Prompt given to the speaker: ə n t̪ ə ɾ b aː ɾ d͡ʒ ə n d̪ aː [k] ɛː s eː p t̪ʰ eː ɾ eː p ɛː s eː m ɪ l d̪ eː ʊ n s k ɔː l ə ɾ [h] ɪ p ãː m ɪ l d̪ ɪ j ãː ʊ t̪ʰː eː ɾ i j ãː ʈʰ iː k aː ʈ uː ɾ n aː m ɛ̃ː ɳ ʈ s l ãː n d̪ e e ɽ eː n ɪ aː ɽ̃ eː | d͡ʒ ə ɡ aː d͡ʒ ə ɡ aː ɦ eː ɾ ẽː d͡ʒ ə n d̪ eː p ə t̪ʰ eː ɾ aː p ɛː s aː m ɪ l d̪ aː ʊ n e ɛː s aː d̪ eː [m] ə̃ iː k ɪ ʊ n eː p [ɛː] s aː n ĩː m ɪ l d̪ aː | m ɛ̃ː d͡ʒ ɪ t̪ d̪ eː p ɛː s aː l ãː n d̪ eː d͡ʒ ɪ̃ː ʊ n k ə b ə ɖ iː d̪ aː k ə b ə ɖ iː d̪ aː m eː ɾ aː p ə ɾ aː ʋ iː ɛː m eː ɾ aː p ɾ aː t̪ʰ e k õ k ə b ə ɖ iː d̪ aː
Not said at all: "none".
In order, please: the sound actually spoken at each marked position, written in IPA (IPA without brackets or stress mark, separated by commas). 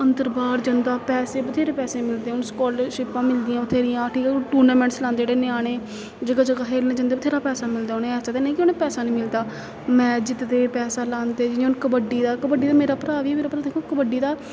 p, ʃ, n, ɛː